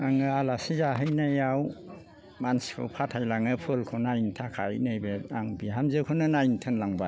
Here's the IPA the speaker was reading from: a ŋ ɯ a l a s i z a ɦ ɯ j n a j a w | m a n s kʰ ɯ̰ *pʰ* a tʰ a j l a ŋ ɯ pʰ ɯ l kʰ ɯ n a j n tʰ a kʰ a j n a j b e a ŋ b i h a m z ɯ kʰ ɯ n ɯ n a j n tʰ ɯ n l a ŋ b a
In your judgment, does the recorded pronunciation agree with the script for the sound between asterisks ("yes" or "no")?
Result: yes